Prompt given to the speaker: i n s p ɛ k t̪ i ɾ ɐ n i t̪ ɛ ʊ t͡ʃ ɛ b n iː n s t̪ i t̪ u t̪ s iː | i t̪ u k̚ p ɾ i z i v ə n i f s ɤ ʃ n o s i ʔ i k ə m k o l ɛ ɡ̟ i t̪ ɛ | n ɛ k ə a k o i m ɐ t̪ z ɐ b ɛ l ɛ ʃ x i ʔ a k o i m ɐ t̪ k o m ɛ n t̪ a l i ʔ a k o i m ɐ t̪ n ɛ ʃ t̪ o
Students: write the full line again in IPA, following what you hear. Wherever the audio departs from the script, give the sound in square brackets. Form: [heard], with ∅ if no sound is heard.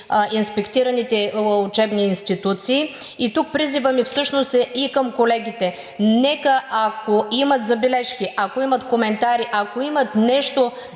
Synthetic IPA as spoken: i n s p ɛ k t̪ i ɾ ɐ n i t̪ ɛ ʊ t͡ʃ ɛ b n iː n s t̪ i t̪ u t̪ s iː | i t̪ u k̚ p ɾ i z i v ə [m] i f s ɤ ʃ n o s [ɛ] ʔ i k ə m k o l ɛ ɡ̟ i t̪ ɛ | n ɛ k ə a k o i m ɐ t̪ z ɐ b ɛ l ɛ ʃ [k] i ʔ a k o i m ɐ t̪ k o m ɛ n t̪ a [ɾ] i ʔ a k o i m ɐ t̪ n ɛ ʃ t̪ o